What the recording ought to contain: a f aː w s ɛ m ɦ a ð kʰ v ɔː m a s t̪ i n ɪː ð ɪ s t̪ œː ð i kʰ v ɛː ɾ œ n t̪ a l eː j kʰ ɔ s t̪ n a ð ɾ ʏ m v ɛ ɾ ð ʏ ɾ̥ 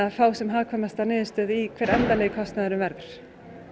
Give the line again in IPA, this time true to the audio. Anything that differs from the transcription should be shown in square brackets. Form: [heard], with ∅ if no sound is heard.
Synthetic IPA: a f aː w s ɛ m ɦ a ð kʰ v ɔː m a s t̪ [a] n ɪː ð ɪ s t̪ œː ð i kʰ v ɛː ɾ [ɛ] n t̪ a l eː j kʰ ɔ s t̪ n a ð ɾ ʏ m v ɛ ɾ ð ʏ ɾ̥